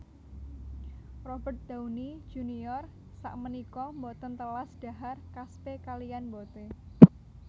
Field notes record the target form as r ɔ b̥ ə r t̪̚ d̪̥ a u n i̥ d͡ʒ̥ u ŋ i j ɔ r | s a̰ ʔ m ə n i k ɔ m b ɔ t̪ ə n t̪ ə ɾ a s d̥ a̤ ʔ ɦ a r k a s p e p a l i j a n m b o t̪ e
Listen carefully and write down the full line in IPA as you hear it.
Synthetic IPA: r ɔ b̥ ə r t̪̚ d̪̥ a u n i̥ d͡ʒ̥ u n i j ɔ r | s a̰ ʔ m ə n i k ɔ m b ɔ t̪ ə n t̪ ə l a s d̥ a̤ ɦ a r k a s p e k a l i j a n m b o t̪ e